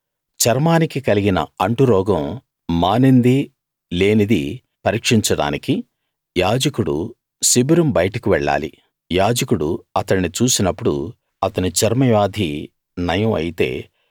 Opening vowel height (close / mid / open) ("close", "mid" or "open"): open